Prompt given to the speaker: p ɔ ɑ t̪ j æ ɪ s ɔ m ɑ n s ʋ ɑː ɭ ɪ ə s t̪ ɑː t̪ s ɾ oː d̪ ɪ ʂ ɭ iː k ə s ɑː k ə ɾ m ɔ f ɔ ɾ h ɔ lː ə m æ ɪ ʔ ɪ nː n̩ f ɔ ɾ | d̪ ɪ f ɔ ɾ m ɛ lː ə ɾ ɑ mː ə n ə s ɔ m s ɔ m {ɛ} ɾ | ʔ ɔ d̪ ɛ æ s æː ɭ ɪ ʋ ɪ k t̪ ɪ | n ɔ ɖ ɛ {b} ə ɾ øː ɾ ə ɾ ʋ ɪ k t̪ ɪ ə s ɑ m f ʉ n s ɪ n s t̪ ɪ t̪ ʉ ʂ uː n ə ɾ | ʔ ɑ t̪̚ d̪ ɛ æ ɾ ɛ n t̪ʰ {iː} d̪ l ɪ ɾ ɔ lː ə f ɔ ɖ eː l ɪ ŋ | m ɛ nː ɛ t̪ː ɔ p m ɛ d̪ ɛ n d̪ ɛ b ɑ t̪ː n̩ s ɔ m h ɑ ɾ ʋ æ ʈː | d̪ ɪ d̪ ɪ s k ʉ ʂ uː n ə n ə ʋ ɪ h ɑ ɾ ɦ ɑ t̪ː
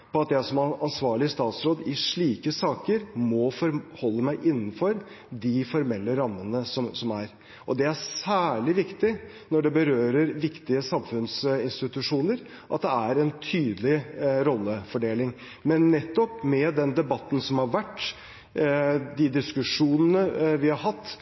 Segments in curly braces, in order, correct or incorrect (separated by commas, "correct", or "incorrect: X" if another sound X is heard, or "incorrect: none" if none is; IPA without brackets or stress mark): incorrect: æ, correct, incorrect: yː